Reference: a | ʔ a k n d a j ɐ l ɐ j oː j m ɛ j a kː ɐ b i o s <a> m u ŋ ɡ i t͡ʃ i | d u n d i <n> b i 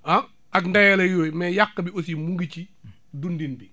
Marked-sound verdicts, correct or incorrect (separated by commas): incorrect, correct